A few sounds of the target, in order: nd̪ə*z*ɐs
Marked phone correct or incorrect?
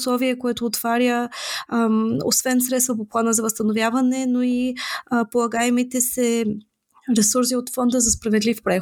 correct